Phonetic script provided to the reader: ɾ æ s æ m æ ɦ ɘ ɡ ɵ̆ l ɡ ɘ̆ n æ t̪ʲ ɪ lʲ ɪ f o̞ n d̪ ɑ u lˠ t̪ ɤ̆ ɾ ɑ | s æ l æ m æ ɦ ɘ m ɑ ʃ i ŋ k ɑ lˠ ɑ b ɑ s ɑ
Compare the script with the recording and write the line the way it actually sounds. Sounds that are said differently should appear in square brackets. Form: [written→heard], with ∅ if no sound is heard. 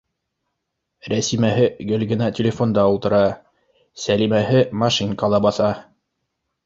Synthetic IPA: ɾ æ s [æ→i] m æ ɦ ɘ ɡ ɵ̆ l ɡ ɘ̆ n æ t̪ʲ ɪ lʲ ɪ f o̞ n d̪ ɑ u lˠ t̪ ɤ̆ ɾ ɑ | s æ l [æ→i] m æ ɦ ɘ m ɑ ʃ i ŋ k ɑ lˠ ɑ b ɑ [s→θ] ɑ